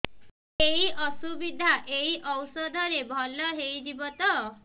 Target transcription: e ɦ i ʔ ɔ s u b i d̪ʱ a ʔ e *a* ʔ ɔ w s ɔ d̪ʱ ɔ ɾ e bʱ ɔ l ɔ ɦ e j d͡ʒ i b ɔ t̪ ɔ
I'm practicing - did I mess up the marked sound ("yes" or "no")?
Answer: yes